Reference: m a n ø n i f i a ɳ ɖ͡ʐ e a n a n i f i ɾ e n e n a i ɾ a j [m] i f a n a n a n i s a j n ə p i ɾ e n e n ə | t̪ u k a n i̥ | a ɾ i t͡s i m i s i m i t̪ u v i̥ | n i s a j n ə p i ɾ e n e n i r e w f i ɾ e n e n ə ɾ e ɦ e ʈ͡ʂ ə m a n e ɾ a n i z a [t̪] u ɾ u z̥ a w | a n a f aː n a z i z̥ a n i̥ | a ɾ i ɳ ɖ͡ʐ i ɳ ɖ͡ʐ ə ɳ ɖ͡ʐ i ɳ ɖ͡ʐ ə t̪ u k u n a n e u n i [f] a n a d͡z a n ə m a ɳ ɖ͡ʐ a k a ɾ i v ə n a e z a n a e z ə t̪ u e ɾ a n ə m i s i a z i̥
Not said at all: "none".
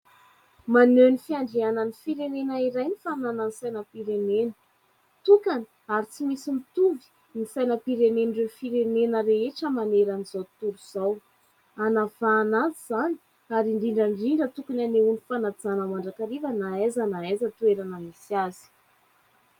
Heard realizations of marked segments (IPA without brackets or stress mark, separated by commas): n, t̪, f